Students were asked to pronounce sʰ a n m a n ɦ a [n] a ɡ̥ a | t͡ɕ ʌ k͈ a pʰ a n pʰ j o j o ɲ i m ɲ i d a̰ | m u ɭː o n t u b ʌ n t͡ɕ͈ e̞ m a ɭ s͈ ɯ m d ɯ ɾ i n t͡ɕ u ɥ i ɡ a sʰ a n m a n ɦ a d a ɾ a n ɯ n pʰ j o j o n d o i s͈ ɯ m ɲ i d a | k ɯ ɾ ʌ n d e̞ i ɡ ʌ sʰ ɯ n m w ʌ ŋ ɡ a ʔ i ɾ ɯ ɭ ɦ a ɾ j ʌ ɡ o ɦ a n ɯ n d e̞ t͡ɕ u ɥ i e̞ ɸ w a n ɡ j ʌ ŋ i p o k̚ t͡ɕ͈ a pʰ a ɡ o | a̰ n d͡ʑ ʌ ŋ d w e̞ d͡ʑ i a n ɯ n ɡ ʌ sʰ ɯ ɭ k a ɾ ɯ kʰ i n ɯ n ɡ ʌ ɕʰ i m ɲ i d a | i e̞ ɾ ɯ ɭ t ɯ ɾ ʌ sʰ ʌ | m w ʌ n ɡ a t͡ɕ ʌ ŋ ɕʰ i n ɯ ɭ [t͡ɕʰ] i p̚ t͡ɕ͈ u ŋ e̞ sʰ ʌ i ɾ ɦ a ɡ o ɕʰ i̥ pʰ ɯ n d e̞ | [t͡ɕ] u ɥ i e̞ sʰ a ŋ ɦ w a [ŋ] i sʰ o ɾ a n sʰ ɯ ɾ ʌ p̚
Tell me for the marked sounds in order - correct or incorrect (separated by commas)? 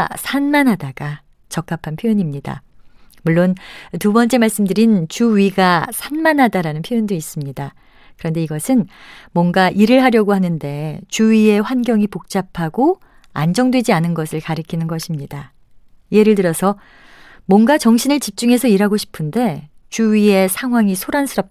incorrect, incorrect, correct, correct